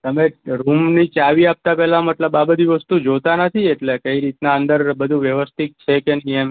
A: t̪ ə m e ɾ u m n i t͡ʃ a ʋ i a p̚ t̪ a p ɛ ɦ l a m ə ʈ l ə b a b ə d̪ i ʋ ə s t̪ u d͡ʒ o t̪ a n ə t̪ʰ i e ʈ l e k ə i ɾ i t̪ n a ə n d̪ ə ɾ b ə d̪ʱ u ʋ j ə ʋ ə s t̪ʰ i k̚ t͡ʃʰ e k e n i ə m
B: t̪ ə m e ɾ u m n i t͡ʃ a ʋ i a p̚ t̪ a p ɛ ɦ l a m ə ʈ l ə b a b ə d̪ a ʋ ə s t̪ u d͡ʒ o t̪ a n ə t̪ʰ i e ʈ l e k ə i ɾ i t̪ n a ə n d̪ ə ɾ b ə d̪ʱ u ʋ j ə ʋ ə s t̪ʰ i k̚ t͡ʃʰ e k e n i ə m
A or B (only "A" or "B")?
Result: A